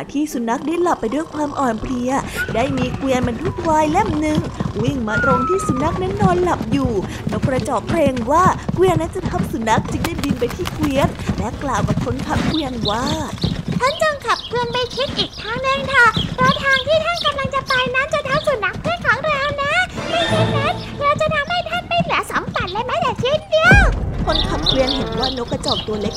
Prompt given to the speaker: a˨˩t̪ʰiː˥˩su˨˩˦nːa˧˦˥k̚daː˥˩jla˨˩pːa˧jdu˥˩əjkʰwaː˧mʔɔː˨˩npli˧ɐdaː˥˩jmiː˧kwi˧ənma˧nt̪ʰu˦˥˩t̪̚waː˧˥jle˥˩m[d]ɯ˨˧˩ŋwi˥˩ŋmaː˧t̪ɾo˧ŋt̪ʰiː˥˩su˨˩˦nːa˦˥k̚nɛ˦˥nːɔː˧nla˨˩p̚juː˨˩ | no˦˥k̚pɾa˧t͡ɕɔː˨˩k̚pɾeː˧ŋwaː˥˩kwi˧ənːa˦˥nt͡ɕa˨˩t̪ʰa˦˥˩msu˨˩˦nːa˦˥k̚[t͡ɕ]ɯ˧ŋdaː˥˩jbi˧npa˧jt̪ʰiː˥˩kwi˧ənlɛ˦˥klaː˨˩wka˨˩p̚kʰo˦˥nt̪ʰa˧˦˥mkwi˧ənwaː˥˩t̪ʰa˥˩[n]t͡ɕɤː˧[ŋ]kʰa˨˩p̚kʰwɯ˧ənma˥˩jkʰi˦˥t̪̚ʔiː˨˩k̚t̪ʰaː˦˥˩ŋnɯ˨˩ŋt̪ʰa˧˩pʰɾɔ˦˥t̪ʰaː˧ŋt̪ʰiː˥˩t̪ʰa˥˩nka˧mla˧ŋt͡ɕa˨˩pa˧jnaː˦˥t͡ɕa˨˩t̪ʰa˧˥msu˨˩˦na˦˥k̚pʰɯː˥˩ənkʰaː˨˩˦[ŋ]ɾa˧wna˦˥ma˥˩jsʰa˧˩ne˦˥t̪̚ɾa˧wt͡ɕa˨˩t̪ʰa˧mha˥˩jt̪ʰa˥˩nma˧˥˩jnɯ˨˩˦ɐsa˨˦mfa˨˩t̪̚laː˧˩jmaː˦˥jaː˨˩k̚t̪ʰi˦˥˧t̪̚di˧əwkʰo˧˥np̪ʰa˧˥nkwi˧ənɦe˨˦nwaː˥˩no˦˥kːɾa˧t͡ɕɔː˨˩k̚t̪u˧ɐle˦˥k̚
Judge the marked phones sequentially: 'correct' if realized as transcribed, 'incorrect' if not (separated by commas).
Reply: incorrect, correct, correct, correct, correct